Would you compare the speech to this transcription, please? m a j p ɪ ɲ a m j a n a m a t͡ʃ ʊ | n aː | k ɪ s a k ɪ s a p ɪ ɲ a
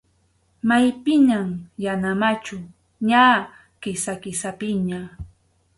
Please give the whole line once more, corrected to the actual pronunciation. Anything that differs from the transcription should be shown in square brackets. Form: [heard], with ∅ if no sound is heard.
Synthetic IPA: m a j p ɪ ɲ a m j a n a m a t͡ʃ ʊ | [ɲ] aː | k ɪ s a k ɪ s a p ɪ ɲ a

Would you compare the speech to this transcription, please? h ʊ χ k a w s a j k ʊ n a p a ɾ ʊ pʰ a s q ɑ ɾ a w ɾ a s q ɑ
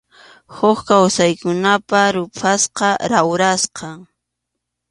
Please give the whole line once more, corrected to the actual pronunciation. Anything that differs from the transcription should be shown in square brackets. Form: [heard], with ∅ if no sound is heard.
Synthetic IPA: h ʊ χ k a w s a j k ʊ n a p a ɾ ʊ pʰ a s q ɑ ɾ a w ɾ a s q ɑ

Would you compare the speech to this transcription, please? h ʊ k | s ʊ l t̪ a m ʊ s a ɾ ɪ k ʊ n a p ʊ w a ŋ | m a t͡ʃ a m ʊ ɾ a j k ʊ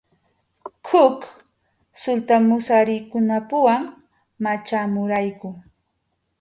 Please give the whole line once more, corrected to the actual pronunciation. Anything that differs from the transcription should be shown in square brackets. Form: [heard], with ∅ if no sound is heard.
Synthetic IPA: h ʊ k | s ʊ l t̪ a m ʊ s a ɾ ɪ k ʊ n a p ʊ w a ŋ | m a t͡ʃ a m ʊ ɾ a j k ʊ

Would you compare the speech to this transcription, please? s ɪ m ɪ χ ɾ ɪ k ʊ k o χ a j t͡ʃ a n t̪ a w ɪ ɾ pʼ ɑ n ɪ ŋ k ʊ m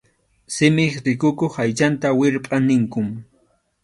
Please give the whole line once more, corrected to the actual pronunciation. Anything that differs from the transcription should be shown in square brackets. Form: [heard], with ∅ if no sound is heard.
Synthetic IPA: s ɪ m ɪ χ ɾ ɪ k ʊ k o χ a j t͡ʃ a n t̪ a w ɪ ɾ pʼ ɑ n ɪ ŋ k ʊ m

